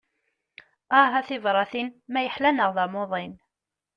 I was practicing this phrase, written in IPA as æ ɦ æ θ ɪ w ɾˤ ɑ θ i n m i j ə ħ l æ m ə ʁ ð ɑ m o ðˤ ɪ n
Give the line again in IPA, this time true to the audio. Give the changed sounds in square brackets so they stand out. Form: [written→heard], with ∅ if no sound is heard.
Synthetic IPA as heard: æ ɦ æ θ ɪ [w→v] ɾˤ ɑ θ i n m [i→æ] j ə ħ l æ [m→n] ə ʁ ð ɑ m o ðˤ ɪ n